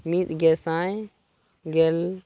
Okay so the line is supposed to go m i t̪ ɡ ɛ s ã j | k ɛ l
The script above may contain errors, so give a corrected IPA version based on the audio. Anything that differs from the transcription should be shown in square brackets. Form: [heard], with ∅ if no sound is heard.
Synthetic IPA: m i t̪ ɡ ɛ s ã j | [ɡ] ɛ l